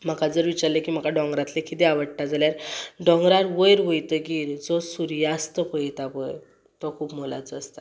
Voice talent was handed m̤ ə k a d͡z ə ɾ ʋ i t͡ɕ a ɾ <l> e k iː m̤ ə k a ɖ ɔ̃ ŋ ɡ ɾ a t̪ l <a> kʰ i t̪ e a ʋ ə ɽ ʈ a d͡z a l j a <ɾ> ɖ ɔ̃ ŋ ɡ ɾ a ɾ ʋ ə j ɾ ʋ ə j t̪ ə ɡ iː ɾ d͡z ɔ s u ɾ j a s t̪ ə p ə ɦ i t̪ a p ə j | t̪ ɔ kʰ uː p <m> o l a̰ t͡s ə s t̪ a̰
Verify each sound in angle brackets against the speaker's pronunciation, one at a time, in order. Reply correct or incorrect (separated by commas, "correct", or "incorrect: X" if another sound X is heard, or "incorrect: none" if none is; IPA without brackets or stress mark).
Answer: correct, incorrect: e, correct, correct